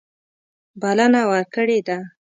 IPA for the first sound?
b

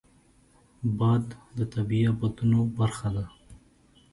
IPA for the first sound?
b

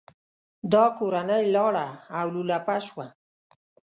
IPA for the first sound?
d̪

